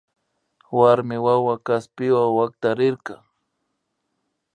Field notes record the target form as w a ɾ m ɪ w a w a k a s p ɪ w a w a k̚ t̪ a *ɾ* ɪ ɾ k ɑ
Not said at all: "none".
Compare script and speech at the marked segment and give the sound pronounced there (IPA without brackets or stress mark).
ɾ